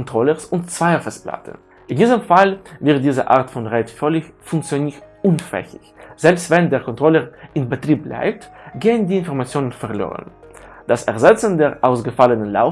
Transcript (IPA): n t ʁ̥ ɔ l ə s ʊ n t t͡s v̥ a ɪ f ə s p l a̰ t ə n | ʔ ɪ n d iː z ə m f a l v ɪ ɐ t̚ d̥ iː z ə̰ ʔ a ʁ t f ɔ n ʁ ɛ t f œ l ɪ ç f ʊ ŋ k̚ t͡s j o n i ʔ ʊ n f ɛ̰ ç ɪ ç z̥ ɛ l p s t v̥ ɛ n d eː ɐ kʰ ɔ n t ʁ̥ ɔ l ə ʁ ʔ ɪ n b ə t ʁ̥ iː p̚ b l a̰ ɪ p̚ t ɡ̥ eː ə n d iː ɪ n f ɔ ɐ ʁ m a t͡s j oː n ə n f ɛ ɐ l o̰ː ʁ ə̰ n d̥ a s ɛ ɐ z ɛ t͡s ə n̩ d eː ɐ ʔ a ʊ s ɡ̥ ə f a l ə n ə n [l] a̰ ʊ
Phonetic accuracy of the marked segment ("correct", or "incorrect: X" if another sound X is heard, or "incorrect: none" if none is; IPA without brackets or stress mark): correct